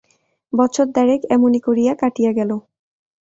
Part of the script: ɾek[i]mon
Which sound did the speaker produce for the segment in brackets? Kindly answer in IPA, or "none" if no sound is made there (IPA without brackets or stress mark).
ɛ